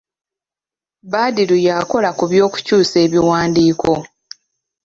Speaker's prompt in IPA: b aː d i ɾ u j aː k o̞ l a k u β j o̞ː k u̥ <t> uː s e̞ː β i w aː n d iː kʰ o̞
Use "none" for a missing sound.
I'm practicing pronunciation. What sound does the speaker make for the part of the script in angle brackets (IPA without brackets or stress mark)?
c